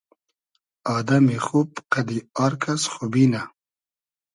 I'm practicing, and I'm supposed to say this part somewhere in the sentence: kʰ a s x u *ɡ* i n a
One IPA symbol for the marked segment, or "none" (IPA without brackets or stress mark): b